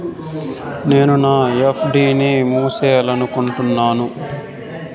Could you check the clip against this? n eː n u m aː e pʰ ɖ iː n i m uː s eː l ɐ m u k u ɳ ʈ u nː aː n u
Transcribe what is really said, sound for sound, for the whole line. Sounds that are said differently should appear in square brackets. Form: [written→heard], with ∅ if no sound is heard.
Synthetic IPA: n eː n u [m→n] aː e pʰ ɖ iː n i m uː s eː l ɐ [m→n] u k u ɳ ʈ u nː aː n u